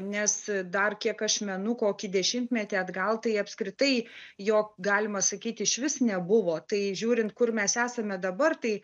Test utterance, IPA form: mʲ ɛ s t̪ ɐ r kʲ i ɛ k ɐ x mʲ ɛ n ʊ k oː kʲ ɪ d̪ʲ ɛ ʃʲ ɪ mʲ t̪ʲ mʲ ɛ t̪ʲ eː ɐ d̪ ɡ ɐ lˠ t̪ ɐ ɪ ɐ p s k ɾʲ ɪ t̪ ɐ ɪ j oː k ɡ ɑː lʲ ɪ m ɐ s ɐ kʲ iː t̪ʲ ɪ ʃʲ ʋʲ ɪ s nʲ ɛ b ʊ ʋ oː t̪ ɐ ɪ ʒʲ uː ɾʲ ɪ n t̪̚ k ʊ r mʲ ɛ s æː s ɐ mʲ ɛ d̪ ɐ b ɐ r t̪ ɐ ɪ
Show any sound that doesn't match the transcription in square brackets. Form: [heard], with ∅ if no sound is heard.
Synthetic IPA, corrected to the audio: [nʲ] ɛ s [d̪] ɐ r kʲ i ɛ k ɐ [ʃ] mʲ ɛ n ʊ k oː kʲ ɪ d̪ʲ ɛ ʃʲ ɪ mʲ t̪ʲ mʲ ɛ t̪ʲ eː ɐ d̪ ɡ ɐ lˠ t̪ ɐ ɪ ɐ p s k ɾʲ ɪ t̪ ɐ ɪ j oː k ɡ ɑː lʲ ɪ m ɐ s ɐ kʲ iː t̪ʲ ɪ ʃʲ ʋʲ ɪ s nʲ ɛ b ʊ ʋ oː t̪ ɐ ɪ ʒʲ uː ɾʲ ɪ n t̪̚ k ʊ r mʲ ɛ s æː s ɐ mʲ ɛ d̪ ɐ b ɐ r t̪ ɐ ɪ